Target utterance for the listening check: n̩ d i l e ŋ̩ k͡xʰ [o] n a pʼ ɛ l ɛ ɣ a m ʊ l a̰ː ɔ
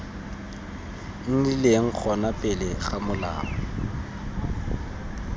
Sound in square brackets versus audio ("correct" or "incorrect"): incorrect